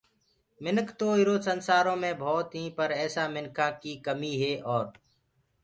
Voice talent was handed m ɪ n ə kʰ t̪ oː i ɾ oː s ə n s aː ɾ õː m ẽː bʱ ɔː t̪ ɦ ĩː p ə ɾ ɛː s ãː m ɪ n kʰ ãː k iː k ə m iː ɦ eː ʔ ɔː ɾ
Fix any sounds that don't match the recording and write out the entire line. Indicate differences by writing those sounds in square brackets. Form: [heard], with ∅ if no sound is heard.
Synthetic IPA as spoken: m ɪ n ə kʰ t̪ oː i ɾ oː s ə n s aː ɾ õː m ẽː bʱ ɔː t̪ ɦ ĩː p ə ɾ ɛː s [aː] m ɪ n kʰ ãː k iː k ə m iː ɦ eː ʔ ɔː ɾ